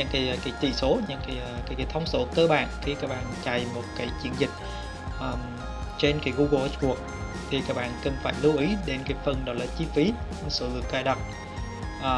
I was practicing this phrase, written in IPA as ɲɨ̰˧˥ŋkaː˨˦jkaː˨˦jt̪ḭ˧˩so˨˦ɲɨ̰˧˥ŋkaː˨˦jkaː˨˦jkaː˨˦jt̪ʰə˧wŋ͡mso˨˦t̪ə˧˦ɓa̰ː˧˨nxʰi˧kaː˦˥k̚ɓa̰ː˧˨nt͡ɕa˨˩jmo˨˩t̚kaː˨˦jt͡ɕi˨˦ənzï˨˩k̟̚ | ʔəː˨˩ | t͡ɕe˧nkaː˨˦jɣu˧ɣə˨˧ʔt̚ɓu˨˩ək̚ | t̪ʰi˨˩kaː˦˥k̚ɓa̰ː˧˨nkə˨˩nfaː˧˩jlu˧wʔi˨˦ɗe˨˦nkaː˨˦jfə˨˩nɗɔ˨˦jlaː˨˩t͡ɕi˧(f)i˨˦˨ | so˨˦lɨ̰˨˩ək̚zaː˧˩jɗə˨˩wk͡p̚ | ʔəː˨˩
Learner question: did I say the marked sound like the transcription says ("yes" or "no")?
yes